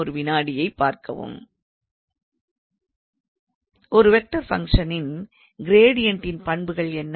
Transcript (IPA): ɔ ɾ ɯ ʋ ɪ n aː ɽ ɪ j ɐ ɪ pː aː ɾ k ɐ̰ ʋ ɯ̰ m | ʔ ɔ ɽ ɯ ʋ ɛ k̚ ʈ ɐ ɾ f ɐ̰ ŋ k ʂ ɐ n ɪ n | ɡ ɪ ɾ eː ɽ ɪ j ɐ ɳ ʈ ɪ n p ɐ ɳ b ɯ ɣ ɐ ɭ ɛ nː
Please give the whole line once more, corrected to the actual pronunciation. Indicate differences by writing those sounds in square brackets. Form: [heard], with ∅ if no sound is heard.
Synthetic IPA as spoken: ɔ ɾ ɯ ʋ ɪ n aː ɽ ɪ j ɐ ɪ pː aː ɾ k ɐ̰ ʋ ɯ̰ m | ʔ ɔ [ɾ] ɯ ʋ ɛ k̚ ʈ ɐ ɾ f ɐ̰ ŋ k ʂ ɐ n ɪ n | ɡ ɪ ɾ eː ɽ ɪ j ɐ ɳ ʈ ɪ n p ɐ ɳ b ɯ ɣ ɐ ɭ ɛ nː